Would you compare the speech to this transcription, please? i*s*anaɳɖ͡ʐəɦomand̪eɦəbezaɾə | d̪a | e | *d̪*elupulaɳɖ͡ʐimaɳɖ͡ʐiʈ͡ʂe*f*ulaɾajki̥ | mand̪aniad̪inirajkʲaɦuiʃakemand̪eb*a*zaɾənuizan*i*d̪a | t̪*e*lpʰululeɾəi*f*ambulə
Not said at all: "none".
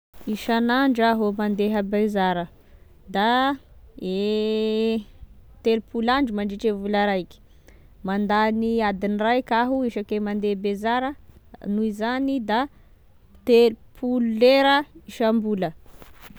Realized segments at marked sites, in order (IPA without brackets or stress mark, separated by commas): ʃ, t̪, v, e, i, e, ʃ